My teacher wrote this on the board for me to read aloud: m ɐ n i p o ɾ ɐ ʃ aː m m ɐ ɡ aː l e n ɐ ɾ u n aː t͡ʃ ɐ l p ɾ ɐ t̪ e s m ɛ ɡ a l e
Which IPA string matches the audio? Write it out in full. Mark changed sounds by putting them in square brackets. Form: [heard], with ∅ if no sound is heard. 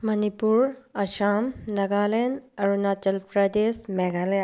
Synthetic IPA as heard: m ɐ n i p [u] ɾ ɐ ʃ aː m [n] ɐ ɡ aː l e n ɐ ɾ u n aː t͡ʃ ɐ l p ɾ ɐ [d̪] e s m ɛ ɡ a l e